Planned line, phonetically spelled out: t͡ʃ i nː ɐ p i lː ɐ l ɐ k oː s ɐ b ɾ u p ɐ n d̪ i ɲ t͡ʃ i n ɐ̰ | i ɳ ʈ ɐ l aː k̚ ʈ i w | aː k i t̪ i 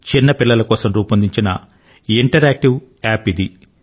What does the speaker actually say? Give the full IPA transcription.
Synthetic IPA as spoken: t͡ʃ i nː ɐ p i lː ɐ l ɐ k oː s ɐ m ɾ uː p ɐ n d̪ i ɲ t͡ʃ i n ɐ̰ | i ɳ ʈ ɐ ɾ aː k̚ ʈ i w | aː p i d̪ i